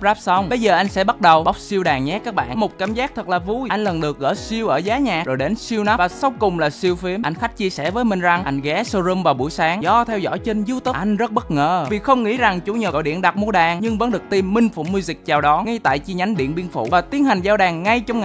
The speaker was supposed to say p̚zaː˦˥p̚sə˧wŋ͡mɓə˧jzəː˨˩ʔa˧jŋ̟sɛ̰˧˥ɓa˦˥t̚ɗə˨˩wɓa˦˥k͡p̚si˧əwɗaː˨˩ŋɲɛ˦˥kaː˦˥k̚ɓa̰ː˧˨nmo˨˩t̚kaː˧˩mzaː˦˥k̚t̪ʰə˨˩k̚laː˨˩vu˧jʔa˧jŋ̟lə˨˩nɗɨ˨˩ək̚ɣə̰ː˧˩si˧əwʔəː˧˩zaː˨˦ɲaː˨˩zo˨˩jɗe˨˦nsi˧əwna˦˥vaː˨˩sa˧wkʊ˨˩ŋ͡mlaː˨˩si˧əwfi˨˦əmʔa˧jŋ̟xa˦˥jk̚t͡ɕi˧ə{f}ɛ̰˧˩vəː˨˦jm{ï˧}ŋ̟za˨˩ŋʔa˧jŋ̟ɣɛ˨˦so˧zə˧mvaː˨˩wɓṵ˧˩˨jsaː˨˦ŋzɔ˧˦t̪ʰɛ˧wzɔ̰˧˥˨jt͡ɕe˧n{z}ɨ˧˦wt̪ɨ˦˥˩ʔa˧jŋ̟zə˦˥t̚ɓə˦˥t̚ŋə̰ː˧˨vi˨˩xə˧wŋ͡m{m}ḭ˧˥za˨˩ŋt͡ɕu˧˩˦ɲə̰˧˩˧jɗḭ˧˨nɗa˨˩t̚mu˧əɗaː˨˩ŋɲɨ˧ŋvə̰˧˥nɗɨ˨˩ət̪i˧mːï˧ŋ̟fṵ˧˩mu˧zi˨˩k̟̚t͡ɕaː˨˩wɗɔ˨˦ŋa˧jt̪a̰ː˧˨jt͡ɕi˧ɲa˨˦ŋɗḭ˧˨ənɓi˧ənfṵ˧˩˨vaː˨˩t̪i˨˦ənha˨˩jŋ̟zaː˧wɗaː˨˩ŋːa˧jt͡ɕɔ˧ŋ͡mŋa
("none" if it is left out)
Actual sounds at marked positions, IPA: s, ï˨˩, z, ŋ

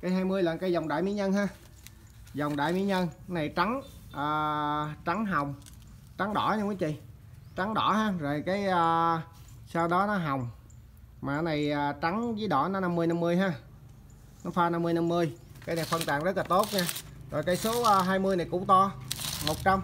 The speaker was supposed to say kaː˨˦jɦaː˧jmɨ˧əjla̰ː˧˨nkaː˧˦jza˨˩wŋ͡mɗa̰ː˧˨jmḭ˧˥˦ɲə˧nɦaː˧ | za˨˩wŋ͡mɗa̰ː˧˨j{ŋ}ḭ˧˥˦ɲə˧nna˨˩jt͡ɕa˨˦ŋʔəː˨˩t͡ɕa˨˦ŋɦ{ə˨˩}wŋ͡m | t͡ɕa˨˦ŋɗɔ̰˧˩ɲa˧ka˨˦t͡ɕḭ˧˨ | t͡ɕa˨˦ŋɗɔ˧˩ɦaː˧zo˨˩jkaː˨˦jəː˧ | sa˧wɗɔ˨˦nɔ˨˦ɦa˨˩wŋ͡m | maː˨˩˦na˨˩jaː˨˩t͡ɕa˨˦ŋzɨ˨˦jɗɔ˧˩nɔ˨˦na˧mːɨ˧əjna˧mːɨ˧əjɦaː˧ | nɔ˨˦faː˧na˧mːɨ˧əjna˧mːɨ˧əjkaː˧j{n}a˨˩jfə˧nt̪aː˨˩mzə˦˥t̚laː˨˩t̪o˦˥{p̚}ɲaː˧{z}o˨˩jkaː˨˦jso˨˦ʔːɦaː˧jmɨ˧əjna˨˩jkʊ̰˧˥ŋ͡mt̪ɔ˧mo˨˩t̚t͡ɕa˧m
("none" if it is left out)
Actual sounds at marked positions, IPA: m, a˨˩, n, t̚, z

